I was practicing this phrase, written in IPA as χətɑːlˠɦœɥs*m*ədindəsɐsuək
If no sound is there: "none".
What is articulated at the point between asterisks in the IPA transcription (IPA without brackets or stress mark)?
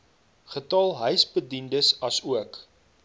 b